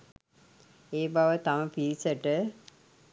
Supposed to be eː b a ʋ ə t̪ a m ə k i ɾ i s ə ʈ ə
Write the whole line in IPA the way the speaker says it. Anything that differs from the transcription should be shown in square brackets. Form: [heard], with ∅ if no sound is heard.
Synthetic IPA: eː b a ʋ ə t̪ a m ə [p] i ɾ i s ə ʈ ə